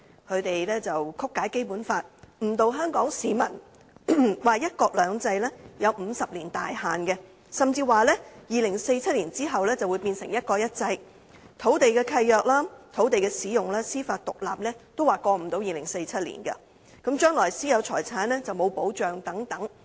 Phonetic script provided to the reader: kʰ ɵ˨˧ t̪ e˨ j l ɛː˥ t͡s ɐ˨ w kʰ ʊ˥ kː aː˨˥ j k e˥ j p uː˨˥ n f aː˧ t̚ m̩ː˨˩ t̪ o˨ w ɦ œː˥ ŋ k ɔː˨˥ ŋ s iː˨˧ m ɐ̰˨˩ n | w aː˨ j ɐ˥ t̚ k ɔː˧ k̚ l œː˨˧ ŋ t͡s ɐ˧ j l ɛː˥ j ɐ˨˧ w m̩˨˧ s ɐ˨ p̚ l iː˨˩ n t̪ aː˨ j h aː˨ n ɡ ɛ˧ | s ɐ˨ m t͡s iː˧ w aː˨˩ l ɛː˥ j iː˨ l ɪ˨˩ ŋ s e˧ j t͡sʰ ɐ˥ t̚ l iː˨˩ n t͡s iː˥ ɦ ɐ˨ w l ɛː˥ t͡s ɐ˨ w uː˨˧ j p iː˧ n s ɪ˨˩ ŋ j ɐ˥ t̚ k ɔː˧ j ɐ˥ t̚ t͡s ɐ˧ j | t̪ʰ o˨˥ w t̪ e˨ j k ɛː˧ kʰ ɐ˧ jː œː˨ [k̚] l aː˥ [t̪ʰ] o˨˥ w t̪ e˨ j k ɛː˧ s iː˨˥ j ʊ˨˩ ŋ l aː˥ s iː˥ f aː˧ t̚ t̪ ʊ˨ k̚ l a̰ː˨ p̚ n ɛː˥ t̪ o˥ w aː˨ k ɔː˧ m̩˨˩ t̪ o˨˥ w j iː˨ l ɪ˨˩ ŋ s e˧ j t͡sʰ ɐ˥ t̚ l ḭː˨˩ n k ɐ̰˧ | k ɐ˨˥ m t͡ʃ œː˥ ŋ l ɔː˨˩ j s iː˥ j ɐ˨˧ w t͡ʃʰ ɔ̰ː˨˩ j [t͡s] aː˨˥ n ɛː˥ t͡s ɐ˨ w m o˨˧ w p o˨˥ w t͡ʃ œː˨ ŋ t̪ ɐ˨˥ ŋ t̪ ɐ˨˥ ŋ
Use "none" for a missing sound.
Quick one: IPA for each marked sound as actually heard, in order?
k̚, t̪ʰ, t͡sʰ

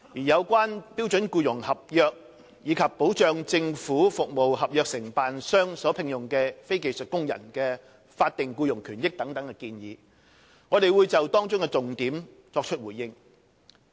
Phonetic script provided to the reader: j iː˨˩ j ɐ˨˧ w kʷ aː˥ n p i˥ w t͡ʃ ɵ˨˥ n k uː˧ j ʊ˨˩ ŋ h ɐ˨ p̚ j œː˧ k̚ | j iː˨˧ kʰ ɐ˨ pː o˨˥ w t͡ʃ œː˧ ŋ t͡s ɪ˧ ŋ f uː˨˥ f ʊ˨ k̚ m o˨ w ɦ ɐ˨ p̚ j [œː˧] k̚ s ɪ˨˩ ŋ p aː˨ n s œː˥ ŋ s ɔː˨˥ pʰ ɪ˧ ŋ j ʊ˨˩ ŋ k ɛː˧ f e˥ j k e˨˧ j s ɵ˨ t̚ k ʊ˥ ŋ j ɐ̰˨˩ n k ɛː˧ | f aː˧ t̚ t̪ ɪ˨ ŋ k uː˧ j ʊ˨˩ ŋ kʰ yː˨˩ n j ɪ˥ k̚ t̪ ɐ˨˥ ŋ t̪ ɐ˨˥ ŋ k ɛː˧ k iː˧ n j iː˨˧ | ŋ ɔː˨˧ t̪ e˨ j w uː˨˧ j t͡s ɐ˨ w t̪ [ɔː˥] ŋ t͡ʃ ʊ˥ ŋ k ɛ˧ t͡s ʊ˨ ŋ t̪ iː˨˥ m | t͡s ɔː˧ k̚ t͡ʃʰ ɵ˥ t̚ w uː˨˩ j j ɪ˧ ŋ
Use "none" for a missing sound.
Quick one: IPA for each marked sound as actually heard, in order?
œː˧, ɔː˥

